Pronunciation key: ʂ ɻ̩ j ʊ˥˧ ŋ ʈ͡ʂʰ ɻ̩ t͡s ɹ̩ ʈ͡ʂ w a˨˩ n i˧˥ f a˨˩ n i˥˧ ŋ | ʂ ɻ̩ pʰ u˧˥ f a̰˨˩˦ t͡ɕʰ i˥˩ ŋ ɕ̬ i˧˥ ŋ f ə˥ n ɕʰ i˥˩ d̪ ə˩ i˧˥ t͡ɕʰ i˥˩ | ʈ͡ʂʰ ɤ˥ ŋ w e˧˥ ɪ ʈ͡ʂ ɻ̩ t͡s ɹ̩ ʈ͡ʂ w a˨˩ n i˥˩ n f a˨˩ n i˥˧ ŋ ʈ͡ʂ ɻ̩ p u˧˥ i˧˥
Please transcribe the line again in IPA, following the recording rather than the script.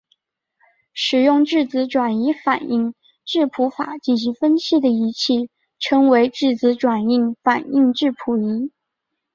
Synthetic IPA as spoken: ʂ ɻ̩ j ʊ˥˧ ŋ ʈ͡ʂ ɻ̩ t͡s ɹ̩ ʈ͡ʂ w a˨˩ n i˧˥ f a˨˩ n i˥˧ ŋ | ʈ͡ʂ ɻ̩ pʰ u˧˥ f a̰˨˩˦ t͡ɕ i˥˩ n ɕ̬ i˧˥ ŋ f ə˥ n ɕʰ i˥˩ d̪ ə˩ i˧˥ t͡ɕʰ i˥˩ | ʈ͡ʂʰ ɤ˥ ŋ w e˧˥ ɪ ʈ͡ʂ ɻ̩ t͡s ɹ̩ ʈ͡ʂ w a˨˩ n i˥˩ ŋ f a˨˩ n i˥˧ ŋ ʈ͡ʂ ɻ̩ pʰ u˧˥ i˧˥

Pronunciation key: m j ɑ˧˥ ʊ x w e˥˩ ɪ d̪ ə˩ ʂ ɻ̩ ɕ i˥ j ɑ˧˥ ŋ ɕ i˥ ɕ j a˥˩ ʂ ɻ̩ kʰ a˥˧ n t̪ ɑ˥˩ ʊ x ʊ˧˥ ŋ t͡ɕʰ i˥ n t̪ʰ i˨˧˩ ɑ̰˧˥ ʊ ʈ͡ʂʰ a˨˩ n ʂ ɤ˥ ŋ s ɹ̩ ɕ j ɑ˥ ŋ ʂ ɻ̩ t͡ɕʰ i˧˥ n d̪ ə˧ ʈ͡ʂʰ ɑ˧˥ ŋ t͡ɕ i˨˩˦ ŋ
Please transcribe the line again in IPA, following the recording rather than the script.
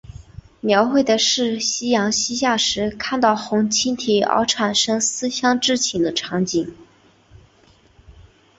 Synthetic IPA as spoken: m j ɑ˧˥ ʊ x w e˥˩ ɪ d̪ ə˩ ʂ ɻ̩ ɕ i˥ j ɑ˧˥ ŋ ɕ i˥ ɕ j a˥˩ ʂ ɻ̩ kʰ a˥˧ n t̪ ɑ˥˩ ʊ x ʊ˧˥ ŋ t͡ɕʰ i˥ n t̪ʰ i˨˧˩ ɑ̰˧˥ ʊ ʈ͡ʂʰ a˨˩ n ʂ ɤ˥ ŋ s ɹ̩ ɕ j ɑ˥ ŋ ʈ͡ʂ ɻ̩ t͡ɕʰ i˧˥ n d̪ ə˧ ʈ͡ʂʰ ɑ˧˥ ŋ t͡ɕ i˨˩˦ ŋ

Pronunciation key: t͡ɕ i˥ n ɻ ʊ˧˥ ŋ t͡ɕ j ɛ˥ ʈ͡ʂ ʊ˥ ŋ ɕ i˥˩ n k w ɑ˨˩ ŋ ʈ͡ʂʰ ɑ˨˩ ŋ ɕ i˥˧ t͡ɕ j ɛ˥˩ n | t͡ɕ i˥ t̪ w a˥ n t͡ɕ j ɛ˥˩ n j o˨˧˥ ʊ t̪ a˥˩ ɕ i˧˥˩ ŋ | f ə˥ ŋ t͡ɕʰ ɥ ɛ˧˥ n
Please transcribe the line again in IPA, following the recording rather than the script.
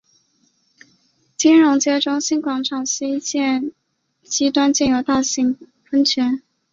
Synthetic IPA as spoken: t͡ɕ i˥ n ɻ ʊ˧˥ ŋ t͡ɕ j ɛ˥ ʈ͡ʂ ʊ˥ ŋ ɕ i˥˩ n k w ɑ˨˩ ŋ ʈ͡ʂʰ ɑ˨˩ ŋ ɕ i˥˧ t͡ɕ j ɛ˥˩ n | t͡ɕ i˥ t̪ w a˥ n t͡ɕ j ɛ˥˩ n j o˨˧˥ ʊ t̪ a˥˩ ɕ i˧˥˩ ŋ | f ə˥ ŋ t͡ɕʰ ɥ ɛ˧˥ n

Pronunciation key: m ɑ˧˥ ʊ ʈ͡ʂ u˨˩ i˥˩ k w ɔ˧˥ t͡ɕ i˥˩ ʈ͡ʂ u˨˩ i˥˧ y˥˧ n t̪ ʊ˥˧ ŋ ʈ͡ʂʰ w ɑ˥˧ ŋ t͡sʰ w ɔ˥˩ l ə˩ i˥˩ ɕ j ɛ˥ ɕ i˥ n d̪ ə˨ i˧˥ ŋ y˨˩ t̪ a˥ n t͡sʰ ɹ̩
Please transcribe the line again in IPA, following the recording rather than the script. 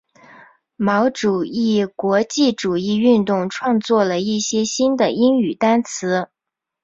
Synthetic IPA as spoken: m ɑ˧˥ ʊ ʈ͡ʂ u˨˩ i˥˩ k w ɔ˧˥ t͡ɕ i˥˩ ʈ͡ʂ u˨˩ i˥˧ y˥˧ n t̪ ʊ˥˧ ŋ ʈ͡ʂʰ w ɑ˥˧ ŋ t͡s w ɔ˥˩ l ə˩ i˥˩ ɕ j ɛ˥ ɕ i˥ n d̪ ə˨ i˥ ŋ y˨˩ t̪ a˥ n t͡sʰ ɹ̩

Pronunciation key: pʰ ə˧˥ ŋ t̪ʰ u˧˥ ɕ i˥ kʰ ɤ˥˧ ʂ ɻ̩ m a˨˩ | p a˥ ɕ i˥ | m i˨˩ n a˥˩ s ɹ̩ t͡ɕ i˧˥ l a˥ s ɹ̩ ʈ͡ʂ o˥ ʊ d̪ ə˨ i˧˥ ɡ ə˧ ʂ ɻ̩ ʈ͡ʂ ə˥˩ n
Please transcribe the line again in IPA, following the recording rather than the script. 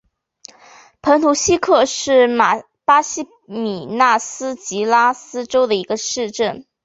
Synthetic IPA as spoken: pʰ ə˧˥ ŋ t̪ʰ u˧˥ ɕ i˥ kʰ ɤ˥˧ ʂ ɻ̩ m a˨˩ | p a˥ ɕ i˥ | m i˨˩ n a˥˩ s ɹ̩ t͡ɕ i˧˥ l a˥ s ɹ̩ ʈ͡ʂ o˥ ʊ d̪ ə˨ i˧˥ ɡ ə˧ ʂ ɻ̩ ʈ͡ʂ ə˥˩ n

